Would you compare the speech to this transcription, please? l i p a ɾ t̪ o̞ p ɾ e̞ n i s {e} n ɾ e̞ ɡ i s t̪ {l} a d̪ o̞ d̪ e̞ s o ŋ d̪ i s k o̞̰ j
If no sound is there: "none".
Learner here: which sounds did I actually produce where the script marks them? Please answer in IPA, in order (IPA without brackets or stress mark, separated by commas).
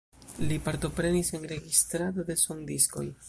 e, ɾ